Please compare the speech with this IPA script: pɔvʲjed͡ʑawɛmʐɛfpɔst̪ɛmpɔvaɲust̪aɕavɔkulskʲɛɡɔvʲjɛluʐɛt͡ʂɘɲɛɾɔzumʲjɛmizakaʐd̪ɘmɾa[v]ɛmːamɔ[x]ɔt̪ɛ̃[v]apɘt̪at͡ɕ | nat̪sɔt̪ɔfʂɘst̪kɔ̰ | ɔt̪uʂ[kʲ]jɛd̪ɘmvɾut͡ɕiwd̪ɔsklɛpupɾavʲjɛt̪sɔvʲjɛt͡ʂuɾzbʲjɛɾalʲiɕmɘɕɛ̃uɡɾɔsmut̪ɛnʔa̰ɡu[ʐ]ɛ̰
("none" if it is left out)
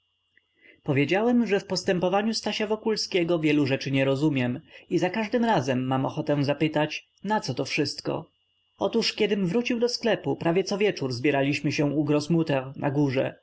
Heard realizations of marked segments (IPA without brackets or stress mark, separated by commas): z, x, z, kʲ, ʐ